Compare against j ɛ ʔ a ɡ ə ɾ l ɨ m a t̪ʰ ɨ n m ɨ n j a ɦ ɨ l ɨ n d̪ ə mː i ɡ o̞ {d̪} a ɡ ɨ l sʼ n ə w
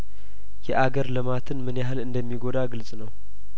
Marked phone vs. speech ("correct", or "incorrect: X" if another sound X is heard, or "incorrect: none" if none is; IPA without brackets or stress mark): correct